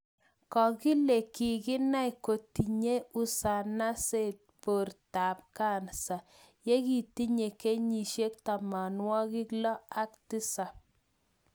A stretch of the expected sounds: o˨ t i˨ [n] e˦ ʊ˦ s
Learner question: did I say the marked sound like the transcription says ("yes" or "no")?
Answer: no